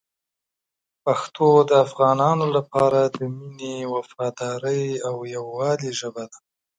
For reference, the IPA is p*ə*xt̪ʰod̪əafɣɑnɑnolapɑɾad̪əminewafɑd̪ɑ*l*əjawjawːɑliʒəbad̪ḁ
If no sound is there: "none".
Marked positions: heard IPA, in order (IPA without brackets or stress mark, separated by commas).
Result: a, ɾ